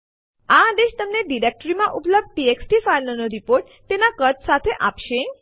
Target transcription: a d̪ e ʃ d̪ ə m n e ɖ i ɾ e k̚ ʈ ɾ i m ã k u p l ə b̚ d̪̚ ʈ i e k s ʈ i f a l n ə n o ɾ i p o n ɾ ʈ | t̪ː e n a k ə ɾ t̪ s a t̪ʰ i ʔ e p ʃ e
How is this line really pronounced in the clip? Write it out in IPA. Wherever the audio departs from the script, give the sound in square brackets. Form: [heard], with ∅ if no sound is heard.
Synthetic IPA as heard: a d̪ e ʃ [t̪] ə m n e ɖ i ɾ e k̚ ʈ ɾ i m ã [ʔ] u p l ə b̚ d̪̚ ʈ i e k s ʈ i f a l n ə n o ɾ i p o [∅] ɾ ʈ | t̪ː e n a k ə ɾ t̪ s a t̪ʰ [e] ʔ [a] p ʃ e